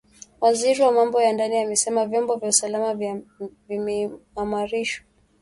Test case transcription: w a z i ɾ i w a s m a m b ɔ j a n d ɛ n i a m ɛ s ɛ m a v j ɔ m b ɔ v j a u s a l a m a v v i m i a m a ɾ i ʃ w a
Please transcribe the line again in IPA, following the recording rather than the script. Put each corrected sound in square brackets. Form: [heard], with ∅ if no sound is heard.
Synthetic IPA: w a z i ɾ i w a [∅] m a m b ɔ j a n d [a] n i a m ɛ s ɛ m a v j ɔ m b ɔ v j a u s a l a m a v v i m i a m a ɾ i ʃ w a